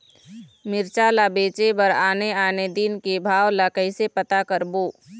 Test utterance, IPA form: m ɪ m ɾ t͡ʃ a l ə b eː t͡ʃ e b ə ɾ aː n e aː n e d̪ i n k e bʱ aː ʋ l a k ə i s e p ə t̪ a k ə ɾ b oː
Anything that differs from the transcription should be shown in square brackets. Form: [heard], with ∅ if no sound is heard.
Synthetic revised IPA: m ɪ [∅] ɾ t͡ʃ a l [a] b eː t͡ʃ e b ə ɾ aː n e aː n e d̪ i n k e bʱ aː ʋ l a k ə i s e p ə t̪ a k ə ɾ b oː